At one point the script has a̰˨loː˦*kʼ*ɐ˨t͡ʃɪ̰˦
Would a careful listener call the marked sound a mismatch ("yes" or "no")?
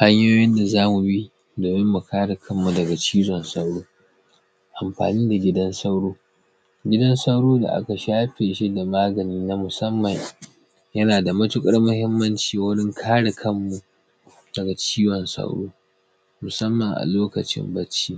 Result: yes